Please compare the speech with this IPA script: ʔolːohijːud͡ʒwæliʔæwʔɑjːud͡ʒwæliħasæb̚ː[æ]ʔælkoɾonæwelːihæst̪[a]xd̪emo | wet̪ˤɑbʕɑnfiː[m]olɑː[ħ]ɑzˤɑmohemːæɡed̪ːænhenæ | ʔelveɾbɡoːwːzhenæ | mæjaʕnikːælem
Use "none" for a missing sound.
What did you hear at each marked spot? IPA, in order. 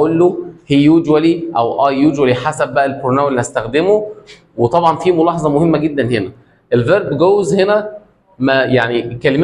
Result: æ, æ, m, ħ

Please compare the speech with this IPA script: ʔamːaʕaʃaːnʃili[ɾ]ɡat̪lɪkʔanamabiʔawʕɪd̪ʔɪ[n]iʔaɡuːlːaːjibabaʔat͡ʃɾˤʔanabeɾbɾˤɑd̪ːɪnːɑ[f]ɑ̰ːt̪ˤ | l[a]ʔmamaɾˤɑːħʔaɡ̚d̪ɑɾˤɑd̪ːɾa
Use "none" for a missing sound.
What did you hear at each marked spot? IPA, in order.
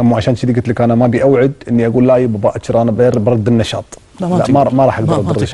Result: none, nː, ʃ, a

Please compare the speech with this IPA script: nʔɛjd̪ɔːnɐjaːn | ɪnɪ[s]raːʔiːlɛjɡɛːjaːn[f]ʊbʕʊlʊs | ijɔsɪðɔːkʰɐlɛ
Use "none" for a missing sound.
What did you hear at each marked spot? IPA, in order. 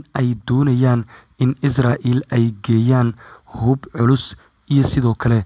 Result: s, h

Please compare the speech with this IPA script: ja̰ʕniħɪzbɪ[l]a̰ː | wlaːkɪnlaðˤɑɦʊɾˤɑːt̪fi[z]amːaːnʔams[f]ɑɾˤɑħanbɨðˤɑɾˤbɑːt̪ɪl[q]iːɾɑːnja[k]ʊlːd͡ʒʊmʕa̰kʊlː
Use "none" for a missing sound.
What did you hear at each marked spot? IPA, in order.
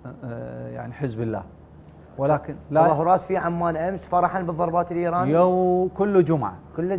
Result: lː, ʕ, f, ʔ, k

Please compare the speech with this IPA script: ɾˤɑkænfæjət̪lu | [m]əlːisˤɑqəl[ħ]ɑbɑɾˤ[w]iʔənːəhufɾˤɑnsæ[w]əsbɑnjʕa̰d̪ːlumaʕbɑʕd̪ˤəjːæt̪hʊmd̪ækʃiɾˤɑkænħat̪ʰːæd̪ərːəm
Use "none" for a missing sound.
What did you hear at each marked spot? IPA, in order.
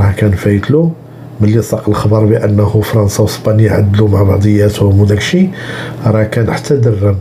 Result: m, x, b, w

